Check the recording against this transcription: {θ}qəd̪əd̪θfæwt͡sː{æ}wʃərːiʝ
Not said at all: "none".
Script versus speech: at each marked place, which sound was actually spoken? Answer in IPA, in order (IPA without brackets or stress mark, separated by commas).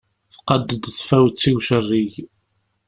θ, i